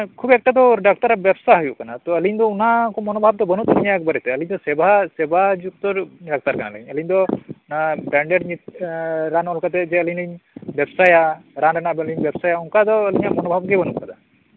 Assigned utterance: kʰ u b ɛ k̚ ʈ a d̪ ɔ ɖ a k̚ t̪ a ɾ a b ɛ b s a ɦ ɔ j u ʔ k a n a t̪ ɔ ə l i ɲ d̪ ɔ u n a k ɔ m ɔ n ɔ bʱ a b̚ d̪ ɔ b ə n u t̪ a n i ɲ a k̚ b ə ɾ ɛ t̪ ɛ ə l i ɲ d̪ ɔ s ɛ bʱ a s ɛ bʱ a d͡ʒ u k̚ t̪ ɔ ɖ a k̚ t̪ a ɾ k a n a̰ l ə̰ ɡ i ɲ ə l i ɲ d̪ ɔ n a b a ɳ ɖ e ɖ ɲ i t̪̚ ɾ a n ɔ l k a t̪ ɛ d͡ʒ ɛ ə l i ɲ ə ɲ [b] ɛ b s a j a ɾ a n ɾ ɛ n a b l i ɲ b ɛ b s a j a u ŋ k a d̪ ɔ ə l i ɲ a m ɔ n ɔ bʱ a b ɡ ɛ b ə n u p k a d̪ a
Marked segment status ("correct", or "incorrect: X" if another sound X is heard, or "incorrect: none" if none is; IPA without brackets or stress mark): correct